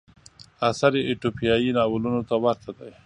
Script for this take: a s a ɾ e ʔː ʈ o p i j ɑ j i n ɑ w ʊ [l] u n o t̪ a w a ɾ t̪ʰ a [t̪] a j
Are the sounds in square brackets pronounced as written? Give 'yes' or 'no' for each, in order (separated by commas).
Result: yes, no